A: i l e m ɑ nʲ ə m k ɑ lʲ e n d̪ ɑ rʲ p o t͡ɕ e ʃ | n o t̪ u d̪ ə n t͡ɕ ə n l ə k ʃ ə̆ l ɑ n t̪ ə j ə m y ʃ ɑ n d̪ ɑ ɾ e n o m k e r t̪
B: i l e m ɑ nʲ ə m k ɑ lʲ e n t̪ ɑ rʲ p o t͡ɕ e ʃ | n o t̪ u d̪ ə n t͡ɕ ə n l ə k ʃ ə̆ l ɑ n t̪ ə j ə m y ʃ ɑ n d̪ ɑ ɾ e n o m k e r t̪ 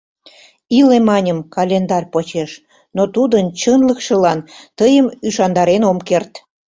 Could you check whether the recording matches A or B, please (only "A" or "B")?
A